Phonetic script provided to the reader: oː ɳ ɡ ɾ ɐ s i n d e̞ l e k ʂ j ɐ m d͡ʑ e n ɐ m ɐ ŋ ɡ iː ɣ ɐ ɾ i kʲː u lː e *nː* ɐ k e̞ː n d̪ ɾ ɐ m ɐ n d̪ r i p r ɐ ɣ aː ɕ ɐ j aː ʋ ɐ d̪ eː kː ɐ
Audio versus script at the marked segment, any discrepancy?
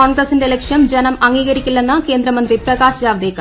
no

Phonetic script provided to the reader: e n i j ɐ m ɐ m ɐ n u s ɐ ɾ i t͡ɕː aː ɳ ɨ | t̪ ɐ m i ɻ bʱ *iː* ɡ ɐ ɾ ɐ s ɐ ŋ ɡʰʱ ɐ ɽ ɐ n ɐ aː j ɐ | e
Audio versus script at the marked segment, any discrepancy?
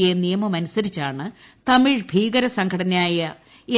no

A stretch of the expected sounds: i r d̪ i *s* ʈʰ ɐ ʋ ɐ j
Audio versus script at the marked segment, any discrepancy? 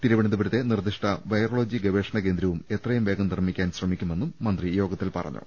yes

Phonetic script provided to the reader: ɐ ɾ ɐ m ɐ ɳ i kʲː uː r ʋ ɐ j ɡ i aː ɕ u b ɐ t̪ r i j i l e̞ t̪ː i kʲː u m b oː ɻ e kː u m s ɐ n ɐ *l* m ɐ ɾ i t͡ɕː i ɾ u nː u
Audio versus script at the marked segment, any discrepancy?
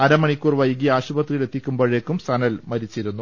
no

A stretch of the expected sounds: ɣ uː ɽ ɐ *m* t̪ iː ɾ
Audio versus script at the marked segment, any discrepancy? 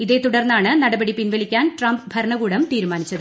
no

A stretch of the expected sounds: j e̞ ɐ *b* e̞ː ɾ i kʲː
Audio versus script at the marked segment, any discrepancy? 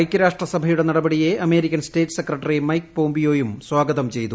yes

